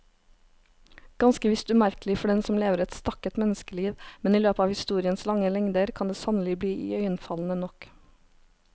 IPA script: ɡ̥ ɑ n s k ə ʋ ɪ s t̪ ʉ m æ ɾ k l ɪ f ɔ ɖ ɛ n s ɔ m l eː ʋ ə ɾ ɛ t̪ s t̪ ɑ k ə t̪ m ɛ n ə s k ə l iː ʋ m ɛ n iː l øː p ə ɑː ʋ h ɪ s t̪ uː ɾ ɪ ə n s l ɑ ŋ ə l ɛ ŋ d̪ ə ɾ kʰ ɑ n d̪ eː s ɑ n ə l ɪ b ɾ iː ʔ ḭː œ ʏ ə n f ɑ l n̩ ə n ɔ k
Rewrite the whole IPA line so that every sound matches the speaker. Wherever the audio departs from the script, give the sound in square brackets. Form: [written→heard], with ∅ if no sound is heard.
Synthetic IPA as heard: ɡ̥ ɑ n s k ə ʋ ɪ s t̪ ʉ m æ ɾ k l ɪ f ɔ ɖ ɛ n s ɔ m l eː ʋ ə ɾ ɛ t̪ s t̪ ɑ k ə t̪ m ɛ n ə s k ə l iː ʋ m ɛ n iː l øː p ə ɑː ʋ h ɪ s t̪ uː ɾ ɪ ə n s l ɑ ŋ ə l ɛ ŋ d̪ ə ɾ kʰ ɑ n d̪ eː s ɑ n ə l ɪ b [ɾ→l] iː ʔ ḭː œ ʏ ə n f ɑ l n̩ ə n ɔ k

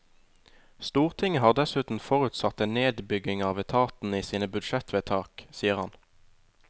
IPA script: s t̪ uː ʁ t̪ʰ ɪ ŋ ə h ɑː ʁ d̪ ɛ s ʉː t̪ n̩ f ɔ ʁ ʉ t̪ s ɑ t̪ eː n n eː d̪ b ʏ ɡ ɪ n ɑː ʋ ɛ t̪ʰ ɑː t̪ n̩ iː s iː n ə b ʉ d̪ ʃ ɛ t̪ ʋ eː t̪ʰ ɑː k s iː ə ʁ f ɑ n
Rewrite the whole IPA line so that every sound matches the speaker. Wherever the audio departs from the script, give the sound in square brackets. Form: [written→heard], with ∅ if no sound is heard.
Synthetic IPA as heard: s t̪ uː ʁ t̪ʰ ɪ ŋ ə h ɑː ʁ d̪ ɛ s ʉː t̪ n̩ f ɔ ʁ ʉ t̪ s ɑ t̪ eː n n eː d̪ b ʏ ɡ ɪ [n→ŋ] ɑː ʋ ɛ t̪ʰ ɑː t̪ n̩ iː s iː n ə b ʉ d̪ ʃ ɛ t̪ ʋ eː t̪ʰ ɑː k s iː ə ʁ [f→h] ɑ n

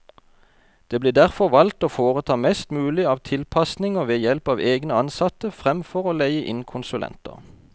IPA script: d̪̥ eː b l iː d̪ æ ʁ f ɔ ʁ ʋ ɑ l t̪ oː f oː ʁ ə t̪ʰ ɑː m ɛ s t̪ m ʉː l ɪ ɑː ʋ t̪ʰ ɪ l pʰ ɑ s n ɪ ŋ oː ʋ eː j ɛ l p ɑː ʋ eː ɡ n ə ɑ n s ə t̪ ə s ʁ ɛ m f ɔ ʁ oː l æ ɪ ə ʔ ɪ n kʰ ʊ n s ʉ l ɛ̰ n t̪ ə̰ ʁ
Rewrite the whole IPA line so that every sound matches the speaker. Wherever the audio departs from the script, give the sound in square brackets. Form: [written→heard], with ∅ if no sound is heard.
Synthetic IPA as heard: d̪̥ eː b l iː d̪ æ ʁ f ɔ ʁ ʋ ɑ l t̪ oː f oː ʁ ə t̪ʰ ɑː m ɛ s t̪ m ʉː l ɪ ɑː ʋ t̪ʰ ɪ l pʰ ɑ s n ɪ ŋ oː ʋ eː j ɛ l p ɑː ʋ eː ɡ n ə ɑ n s [ə→ɑ] t̪ ə [s→f] ʁ ɛ m f ɔ ʁ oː l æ ɪ ə ʔ ɪ n kʰ ʊ n s ʉ l ɛ̰ n t̪ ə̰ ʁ

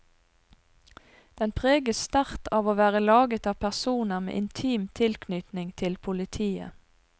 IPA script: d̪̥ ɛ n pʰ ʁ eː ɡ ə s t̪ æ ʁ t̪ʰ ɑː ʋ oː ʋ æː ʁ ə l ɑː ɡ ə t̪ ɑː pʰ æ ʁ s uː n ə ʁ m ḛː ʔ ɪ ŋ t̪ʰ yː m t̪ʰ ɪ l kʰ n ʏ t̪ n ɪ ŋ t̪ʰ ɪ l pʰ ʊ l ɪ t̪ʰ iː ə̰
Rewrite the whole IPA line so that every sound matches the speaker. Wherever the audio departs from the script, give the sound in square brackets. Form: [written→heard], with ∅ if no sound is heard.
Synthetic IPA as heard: d̪̥ ɛ n pʰ ʁ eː ɡ ə s t̪ æ ʁ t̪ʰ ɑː ʋ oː ʋ æː ʁ ə l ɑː ɡ ə t̪ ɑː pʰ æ ʁ s uː n ə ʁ m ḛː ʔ ɪ [ŋ→n] t̪ʰ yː m t̪ʰ ɪ l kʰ n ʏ t̪ n ɪ ŋ t̪ʰ ɪ l pʰ ʊ l ɪ t̪ʰ iː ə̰

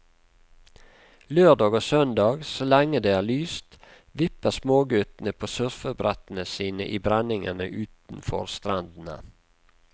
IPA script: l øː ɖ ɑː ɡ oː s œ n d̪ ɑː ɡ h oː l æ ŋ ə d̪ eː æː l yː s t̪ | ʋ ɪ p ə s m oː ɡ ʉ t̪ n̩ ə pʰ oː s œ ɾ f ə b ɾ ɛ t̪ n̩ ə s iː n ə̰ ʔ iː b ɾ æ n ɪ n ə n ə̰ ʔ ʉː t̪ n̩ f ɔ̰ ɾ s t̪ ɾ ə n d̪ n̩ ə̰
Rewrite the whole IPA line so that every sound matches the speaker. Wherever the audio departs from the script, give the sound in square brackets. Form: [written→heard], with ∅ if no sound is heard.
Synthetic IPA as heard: l øː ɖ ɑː ɡ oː s œ n d̪ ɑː ɡ [h→s] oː l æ ŋ ə d̪ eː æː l yː s t̪ | ʋ ɪ p ə s m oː ɡ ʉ t̪ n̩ ə pʰ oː s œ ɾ f ə b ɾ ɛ t̪ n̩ ə s iː n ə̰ ʔ iː b ɾ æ n ɪ [n→ŋ] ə n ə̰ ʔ ʉː t̪ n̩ f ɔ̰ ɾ s t̪ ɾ [ə→ɑ] n d̪ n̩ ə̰

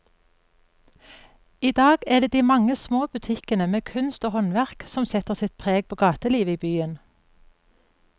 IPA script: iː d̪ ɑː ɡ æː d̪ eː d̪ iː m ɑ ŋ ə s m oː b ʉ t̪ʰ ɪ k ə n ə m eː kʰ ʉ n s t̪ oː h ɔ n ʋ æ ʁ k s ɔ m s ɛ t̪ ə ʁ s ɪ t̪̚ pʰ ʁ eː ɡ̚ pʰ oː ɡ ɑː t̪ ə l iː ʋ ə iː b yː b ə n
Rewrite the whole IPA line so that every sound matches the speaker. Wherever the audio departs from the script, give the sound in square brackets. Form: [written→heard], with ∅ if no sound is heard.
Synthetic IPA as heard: iː d̪ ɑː ɡ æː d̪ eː d̪ iː m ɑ ŋ ə s m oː b ʉ t̪ʰ ɪ k ə n ə m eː kʰ ʉ n s t̪ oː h ɔ n ʋ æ ʁ k s ɔ m s ɛ t̪ ə ʁ s ɪ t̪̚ pʰ ʁ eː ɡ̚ pʰ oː ɡ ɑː t̪ ə l iː ʋ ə iː b yː [b→∅] ə n

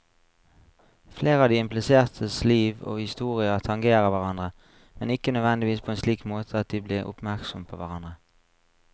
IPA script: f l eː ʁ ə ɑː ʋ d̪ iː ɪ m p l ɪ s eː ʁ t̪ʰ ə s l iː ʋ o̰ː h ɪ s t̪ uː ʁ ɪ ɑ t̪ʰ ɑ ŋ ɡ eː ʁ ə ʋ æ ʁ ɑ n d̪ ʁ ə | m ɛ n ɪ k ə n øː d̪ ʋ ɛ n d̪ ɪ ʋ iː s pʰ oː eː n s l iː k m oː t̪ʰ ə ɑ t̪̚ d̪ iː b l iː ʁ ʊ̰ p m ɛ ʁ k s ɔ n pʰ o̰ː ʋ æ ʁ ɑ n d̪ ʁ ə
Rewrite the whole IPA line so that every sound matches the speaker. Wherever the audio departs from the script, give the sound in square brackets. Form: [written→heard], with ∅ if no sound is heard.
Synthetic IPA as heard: f l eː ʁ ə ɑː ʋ d̪ iː ɪ m p l ɪ s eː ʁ t̪ʰ ə s l iː ʋ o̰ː h ɪ s t̪ uː ʁ ɪ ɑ t̪ʰ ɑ ŋ ɡ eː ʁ ə ʋ æ ʁ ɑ n d̪ ʁ ə | m ɛ n ɪ k ə n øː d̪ ʋ ɛ n d̪ ɪ ʋ iː s pʰ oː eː n s l iː k m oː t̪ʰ ə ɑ t̪̚ d̪ iː b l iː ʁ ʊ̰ p m [ɛ→æ] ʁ k s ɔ [n→m] pʰ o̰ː ʋ æ ʁ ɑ n d̪ ʁ ə

